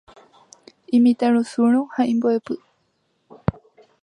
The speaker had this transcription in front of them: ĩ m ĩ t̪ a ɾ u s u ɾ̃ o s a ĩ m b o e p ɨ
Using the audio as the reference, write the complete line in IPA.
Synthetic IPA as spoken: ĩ m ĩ t̪ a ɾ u s u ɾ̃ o h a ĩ m b o e p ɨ